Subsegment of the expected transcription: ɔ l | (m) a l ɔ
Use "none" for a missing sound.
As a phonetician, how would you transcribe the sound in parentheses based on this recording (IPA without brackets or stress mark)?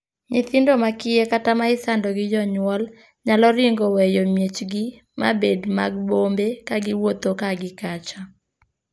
ɲ